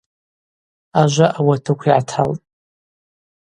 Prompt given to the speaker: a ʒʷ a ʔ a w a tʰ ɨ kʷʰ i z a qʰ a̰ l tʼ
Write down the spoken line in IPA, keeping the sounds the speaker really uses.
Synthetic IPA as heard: a ʒʷ a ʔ a w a tʰ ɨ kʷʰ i ʕ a tʰ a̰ l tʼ